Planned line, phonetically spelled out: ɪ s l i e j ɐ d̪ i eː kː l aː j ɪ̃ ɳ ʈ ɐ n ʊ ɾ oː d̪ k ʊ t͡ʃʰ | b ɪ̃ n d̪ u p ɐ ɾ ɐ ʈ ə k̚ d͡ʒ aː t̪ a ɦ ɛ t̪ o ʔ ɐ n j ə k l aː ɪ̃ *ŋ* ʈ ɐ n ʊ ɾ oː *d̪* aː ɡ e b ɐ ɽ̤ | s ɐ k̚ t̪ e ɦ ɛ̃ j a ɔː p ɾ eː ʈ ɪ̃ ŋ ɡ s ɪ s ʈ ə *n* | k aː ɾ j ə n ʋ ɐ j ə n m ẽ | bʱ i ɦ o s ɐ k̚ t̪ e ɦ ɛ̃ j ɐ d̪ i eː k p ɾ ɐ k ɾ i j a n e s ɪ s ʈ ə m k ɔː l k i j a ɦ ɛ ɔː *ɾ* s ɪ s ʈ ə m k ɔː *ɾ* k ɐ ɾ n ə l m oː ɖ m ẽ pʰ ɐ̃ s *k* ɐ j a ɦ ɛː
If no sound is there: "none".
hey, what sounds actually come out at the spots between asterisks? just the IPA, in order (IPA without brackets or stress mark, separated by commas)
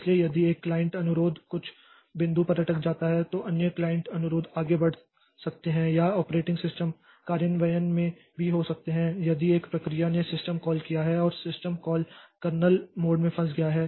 ɳ, d̪, m, ɾ, l, ɡ